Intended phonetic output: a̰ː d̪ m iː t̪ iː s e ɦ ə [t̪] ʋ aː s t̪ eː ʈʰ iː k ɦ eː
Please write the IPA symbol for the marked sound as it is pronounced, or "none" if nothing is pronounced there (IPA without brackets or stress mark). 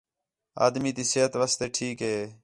t̪